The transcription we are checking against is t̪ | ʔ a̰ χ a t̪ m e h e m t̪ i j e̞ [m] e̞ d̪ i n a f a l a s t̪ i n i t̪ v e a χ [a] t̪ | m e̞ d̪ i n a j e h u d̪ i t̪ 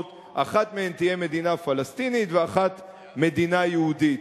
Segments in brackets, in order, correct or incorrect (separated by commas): correct, correct